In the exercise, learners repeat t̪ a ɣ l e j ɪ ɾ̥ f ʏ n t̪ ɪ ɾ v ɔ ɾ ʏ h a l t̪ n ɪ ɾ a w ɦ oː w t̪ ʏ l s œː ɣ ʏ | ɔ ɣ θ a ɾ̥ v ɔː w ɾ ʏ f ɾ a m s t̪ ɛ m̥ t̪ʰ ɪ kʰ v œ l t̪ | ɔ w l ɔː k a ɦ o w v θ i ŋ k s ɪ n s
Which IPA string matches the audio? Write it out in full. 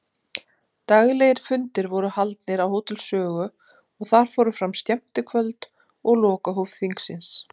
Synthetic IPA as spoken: t̪ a ɣ l e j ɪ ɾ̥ f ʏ n t̪ ɪ ɾ v ɔ ɾ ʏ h a l t̪ n ɪ ɾ a w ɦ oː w t̪ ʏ l s œː ɣ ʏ | ɔ ɣ θ a ɾ̥ f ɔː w ɾ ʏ f ɾ a m s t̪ ɛ m̥ t̪ ɪ kʰ v œ l t̪ | ɔ ɣ l ɔː k a ɦ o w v θ i ŋ k s ɪ n s